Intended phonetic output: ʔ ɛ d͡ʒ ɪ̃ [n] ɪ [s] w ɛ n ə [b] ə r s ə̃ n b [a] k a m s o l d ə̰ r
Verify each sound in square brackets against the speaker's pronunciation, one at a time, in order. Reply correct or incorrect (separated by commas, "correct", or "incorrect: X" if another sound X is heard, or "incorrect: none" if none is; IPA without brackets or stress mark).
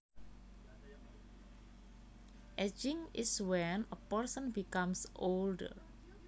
incorrect: ŋ, correct, incorrect: p, incorrect: i